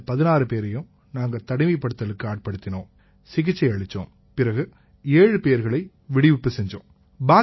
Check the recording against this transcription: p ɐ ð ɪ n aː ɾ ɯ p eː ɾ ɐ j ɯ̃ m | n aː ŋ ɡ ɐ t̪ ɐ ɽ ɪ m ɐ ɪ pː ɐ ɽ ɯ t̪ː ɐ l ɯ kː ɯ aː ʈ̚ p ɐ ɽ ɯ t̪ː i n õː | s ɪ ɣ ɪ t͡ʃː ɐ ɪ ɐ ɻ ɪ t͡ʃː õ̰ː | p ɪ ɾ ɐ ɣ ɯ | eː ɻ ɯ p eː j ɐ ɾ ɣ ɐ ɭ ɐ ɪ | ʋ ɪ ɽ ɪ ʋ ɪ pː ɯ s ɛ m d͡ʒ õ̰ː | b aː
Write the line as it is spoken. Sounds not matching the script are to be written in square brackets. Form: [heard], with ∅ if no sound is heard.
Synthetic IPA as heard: p ɐ ð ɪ n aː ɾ ɯ p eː ɾ ɐ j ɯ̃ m | n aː ŋ ɡ ɐ t̪ ɐ ɽ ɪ m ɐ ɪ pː ɐ ɽ ɯ t̪ː ɐ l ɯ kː ɯ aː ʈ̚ p ɐ ɽ ɯ t̪ː [ɪ] n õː | s ɪ ɣ ɪ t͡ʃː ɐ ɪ ɐ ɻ ɪ t͡ʃː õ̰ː | p ɪ ɾ ɐ ɣ ɯ | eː ɻ ɯ p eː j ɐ ɾ ɣ ɐ ɭ ɐ ɪ | ʋ ɪ ɽ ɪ ʋ ɪ pː ɯ s ɛ [ɲ] d͡ʒ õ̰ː | b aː